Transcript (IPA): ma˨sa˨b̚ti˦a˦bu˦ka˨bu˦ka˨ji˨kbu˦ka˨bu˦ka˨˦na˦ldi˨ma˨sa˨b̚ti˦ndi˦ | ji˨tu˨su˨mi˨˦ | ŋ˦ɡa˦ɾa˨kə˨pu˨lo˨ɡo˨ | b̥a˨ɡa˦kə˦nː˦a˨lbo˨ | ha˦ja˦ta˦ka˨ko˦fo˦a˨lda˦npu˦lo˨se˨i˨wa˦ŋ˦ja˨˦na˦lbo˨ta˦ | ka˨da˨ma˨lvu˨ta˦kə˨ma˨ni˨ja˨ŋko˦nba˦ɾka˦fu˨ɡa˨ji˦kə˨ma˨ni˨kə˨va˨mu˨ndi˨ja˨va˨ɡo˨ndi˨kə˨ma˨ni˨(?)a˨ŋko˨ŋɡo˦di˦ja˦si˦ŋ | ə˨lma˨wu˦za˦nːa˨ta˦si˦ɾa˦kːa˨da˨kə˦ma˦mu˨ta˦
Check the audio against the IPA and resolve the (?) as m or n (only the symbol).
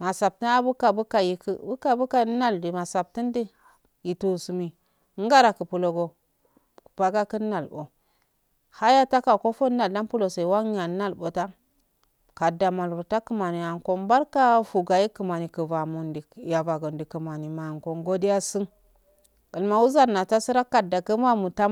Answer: m